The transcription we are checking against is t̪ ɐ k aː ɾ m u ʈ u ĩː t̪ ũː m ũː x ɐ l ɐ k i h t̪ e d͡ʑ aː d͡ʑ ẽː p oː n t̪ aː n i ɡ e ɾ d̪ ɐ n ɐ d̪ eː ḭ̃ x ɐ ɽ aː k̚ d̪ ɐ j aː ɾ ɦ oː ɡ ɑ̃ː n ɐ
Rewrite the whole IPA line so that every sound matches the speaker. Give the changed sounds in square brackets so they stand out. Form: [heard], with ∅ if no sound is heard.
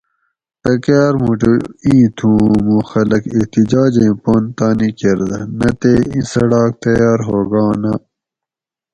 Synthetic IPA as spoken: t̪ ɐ k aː ɾ m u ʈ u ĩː [t̪ʰ] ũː m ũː x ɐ l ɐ k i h t̪ [i] d͡ʑ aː d͡ʑ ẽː p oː n t̪ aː n i [k] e ɾ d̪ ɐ n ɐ [t̪] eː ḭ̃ [s] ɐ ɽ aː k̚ [t̪] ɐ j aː ɾ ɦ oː ɡ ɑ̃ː n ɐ